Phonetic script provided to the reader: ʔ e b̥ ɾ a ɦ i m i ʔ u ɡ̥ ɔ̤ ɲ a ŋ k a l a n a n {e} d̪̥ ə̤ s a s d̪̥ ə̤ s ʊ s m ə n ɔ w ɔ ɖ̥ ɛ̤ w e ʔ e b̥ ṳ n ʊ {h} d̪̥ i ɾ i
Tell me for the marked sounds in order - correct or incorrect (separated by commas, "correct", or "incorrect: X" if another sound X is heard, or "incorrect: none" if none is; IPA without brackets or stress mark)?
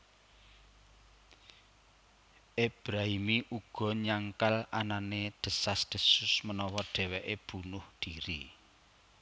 correct, correct